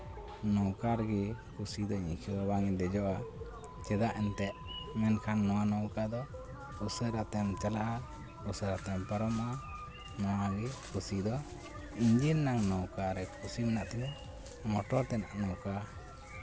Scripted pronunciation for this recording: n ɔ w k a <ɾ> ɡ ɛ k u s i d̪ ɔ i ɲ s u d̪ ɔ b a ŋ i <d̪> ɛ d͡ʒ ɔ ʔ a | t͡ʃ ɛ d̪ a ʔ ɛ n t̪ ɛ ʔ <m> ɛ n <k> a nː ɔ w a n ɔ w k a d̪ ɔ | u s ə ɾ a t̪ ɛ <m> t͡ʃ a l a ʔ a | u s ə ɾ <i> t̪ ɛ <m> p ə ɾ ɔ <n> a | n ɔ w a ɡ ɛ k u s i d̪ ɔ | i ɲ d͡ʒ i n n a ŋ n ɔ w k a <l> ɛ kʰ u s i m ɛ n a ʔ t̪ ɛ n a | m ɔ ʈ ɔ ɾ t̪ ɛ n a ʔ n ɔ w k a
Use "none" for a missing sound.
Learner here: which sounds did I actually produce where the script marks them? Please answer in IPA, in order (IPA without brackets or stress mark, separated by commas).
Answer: ɾ, d̪, m, kʰ, m, a, m, m, ɾ